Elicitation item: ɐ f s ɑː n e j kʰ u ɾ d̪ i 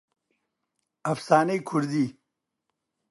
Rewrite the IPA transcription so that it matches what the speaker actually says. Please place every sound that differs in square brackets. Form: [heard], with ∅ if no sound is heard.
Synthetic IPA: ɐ f s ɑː n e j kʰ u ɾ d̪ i

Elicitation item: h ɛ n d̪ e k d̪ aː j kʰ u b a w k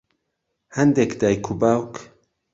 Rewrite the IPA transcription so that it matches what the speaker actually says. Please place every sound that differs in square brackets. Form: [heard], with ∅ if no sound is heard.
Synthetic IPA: h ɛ n d̪ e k d̪ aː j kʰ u b a w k

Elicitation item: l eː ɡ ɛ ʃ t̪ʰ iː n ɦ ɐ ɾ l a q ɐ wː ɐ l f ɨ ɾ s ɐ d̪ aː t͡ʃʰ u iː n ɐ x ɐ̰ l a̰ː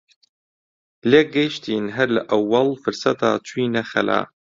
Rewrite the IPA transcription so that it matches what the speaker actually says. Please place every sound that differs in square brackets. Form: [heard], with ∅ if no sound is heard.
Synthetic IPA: l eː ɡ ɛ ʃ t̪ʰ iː n ɦ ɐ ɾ l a [ʔ] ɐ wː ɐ l f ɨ ɾ s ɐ [t̪] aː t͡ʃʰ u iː n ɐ x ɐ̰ l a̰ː

